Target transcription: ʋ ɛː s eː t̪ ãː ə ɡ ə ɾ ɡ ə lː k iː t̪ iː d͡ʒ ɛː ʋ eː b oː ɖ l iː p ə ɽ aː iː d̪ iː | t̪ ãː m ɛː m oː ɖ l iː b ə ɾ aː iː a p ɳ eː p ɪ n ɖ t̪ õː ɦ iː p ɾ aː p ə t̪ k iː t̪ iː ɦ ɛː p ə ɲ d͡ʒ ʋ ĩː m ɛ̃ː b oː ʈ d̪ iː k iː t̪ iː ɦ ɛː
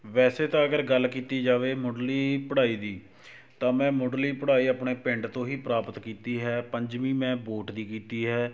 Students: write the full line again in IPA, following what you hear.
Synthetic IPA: ʋ ɛː s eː t̪ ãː ə ɡ ə ɾ ɡ ə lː k iː t̪ iː d͡ʒ aː ʋ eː m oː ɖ l iː p ə ɽ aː iː d̪ iː | t̪ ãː m ɛ̃ː m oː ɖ l iː p ə ɽ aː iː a p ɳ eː p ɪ ɳ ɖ t̪ õː ɦ iː p ɾ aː p ə t̪ k iː t̪ iː ɦ ɛː p ə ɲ d͡ʒ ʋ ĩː m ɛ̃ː b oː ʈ d̪ iː k iː t̪ iː ɦ ɛː